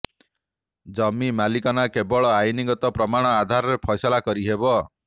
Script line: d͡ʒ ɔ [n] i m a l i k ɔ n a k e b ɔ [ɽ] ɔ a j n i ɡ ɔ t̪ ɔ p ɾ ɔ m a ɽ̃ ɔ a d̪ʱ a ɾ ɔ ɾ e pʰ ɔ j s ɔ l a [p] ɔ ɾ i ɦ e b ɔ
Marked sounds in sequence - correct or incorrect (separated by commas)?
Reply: incorrect, incorrect, incorrect